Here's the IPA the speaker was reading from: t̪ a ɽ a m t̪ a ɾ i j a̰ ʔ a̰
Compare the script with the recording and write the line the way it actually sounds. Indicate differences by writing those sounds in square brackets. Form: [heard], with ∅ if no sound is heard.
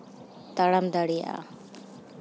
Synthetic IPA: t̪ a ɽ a m [d̪] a [ɽ] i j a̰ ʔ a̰